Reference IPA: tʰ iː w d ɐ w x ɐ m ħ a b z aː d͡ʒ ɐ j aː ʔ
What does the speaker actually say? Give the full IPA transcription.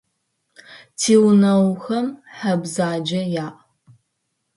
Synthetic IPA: tʰ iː w n ɐ w x ɐ m ħ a b z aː d͡ʒ ɐ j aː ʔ